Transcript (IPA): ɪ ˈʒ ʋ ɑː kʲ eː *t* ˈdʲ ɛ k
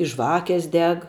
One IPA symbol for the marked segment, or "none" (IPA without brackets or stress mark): s